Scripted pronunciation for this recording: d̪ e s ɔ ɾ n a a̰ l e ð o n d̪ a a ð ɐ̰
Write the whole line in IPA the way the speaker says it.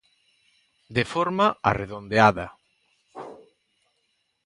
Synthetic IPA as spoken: d̪ e f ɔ ɾ m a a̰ r e ð o n d̪ e a ð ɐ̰